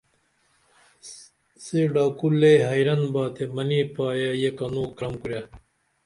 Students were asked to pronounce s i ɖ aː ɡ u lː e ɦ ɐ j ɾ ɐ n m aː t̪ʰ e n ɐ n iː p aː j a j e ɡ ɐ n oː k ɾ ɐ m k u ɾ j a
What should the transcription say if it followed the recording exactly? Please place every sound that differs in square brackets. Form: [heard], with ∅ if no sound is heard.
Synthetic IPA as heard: s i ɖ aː [k] u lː e ɦ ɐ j ɾ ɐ n [b] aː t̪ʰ e [m] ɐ n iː p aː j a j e [k] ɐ n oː k ɾ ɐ m k u ɾ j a